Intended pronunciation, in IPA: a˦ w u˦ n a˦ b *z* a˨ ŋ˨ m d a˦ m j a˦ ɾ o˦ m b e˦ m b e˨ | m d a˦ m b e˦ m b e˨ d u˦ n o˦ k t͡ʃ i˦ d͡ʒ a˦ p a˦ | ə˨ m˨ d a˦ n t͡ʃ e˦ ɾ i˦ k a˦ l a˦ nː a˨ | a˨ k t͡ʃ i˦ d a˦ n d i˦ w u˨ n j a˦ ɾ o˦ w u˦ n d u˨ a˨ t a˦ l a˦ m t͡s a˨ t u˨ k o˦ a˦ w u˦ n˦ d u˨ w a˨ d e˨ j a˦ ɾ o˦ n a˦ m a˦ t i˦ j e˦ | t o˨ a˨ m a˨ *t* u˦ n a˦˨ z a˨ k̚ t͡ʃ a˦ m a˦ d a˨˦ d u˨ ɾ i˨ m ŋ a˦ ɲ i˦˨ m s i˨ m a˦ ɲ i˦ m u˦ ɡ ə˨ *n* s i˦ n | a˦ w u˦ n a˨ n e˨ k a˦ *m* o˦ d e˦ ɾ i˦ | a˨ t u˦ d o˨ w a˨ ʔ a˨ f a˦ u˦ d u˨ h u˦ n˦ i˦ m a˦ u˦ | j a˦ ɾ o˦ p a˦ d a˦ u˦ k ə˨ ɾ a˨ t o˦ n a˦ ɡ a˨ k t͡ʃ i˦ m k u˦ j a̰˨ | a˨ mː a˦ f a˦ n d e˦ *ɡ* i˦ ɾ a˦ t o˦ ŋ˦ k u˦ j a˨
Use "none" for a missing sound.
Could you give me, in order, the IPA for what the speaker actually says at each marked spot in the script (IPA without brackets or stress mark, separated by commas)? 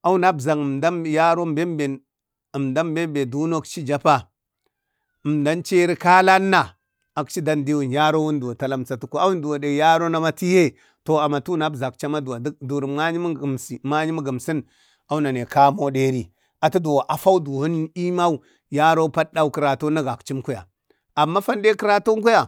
z, t, m, m, k